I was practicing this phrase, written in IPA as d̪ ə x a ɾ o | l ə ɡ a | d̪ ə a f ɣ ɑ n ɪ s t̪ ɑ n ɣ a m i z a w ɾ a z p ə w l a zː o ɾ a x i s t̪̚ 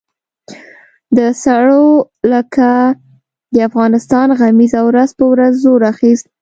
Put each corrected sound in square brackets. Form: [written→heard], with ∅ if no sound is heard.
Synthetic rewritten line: d̪ ə [x→s] a [ɾ→ɽ] o | l ə [ɡ→k] a | d̪ ə a f ɣ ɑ n ɪ s t̪ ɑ n ɣ a m i z a w ɾ a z p ə w [l→ɾ] a zː o ɾ a x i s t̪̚